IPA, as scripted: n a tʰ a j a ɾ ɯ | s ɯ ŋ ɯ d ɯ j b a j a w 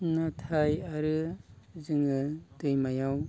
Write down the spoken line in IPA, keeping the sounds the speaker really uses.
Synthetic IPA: n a tʰ a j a ɾ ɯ | z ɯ ŋ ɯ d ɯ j m a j a w

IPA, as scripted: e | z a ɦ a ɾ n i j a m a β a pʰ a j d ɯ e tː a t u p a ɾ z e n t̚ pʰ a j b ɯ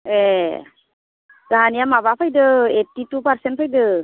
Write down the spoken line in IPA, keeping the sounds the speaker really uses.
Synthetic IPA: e | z a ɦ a n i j a m a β a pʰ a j d ɯ e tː i t u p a ɾ s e n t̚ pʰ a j d ɯ

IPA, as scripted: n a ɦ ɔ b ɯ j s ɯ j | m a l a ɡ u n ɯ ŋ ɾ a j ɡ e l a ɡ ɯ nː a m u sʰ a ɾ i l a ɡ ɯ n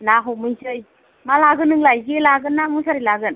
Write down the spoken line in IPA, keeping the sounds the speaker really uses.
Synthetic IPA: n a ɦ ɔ m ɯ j s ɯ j | m a l a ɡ ɯ n ɯ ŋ l a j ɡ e l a ɡ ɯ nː a m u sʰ a ɾ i l a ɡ ɯ n

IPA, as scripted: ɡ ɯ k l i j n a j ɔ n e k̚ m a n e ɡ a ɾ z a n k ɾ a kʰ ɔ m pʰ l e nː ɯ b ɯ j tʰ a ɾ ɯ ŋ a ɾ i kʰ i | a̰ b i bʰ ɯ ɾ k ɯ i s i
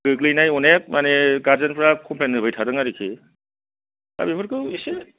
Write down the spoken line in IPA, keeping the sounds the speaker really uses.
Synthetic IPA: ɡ ɯ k l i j n a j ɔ n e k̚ m a n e ɡ a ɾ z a n p ɾ a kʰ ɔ m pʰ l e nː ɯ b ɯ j tʰ a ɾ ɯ ŋ a ɾ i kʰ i | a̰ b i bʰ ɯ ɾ k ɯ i s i

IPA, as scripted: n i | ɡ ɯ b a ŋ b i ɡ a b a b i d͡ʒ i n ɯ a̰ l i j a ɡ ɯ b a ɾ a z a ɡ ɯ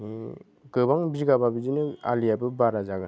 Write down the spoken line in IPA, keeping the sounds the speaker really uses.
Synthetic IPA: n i | ɡ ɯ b a ŋ b i ɡ a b a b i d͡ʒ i n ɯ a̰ l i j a b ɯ b a ɾ a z a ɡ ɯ

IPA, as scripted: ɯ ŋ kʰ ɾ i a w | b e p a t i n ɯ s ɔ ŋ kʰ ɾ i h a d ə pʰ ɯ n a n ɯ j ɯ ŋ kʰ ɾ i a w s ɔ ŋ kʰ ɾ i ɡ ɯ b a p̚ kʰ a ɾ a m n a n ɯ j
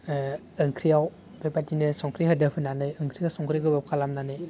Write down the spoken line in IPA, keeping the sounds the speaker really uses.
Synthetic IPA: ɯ ŋ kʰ ɾ i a w | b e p a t i n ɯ s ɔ ŋ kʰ ɾ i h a d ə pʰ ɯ n a n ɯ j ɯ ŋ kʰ ɾ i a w s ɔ ŋ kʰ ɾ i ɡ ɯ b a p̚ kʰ a l a m n a n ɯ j

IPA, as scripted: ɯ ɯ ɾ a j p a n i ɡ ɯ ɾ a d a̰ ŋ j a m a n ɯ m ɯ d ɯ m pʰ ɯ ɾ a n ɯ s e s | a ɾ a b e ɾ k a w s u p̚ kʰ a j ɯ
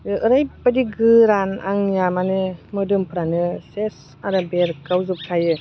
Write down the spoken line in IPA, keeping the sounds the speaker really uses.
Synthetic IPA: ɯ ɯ ɾ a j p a d i ɡ ɯ ɾ a n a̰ ŋ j a m a n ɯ m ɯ d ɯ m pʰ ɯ ɾ a n ɯ s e s | a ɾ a b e ɾ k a w z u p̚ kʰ a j ɯ

